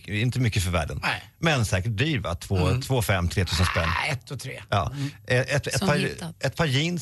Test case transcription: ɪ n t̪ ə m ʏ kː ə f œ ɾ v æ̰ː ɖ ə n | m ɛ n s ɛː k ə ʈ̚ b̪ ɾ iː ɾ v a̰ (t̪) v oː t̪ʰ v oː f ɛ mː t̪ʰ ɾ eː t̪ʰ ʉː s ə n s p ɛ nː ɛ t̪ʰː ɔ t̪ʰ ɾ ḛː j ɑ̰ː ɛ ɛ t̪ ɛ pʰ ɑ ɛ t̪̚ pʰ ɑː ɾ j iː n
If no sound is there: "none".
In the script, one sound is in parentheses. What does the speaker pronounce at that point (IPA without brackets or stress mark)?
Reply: t̪ʰ